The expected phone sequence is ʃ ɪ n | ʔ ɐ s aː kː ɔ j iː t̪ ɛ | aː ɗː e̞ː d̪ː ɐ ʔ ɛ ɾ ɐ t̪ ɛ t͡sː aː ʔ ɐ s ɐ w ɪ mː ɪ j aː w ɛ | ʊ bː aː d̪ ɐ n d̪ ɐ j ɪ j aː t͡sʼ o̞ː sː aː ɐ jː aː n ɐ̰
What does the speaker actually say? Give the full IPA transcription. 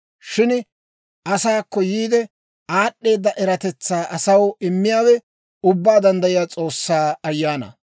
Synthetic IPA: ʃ ɪ n | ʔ ɐ s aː kː ɔ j iː d̪ ɛ | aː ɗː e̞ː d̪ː ɐ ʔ ɛ ɾ ɐ t̪ ɛ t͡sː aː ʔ ɐ s ɐ w ɪ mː ɪ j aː w ɛ | ʊ bː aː d̪ ɐ n d̪ ɐ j ɪ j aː t͡sʼ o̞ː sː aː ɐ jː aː n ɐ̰